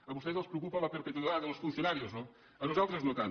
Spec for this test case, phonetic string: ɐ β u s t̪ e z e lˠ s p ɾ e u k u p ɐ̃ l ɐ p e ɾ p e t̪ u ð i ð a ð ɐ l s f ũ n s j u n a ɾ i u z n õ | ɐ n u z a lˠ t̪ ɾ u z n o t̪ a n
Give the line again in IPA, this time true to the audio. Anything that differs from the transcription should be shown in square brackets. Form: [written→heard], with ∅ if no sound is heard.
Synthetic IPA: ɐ β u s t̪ e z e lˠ s p ɾ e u k u p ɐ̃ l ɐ p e ɾ p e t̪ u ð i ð a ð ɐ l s f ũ n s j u n a ɾ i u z n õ | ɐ n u z a lˠ t̪ ɾ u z n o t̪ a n